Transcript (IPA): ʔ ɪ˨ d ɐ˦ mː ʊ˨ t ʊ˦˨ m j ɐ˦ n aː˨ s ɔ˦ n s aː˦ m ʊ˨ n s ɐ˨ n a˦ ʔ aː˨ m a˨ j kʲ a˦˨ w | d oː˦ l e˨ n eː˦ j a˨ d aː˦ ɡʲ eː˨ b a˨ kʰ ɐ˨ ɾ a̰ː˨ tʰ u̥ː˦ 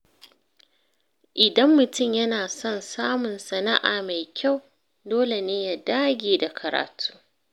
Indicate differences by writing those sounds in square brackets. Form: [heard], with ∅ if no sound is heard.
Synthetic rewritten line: ʔ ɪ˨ d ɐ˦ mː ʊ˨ t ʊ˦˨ m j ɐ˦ n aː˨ s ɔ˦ n s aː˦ m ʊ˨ n s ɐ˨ n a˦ ʔ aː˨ m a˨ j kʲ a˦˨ w | d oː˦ l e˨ n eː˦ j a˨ d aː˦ ɡʲ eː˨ [d] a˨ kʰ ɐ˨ ɾ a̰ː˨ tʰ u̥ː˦